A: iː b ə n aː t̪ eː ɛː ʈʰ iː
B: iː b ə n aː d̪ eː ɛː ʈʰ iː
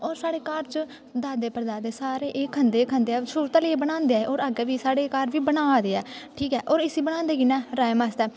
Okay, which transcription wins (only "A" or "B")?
B